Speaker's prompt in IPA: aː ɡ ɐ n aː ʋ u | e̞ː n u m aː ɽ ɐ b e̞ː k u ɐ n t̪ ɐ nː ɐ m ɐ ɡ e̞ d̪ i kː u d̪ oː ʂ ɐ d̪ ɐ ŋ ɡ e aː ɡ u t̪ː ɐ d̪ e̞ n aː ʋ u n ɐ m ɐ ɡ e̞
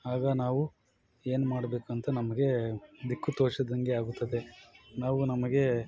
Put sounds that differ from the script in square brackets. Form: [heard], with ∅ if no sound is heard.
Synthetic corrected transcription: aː ɡ ɐ n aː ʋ u | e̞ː n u m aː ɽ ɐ b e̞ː k u ɐ n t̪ ɐ [n] ɐ m ɐ ɡ e̞ d̪ i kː u [t̪] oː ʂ ɐ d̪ ɐ ŋ ɡ e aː ɡ u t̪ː ɐ d̪ e̞ n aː ʋ u n ɐ m ɐ ɡ e̞

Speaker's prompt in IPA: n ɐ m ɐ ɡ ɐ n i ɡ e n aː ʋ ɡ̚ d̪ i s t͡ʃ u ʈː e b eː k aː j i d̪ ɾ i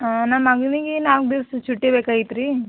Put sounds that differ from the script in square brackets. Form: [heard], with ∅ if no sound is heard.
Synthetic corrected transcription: n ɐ m ɐ ɡ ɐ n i ɡ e n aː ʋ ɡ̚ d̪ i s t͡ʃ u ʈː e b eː k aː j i [t̪] ɾ i

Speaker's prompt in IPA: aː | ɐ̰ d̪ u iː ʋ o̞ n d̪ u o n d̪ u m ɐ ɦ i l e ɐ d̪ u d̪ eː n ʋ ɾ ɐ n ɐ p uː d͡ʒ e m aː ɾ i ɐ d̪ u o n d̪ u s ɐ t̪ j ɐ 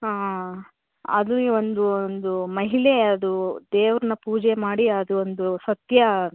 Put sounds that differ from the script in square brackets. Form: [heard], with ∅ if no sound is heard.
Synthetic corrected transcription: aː | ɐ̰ d̪ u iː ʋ o̞ n d̪ u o n d̪ u m ɐ ɦ i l e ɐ d̪ u d̪ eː [∅] ʋ ɾ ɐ n ɐ p uː d͡ʒ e m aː [ɽ] i ɐ d̪ u o n d̪ u s ɐ t̪ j ɐ

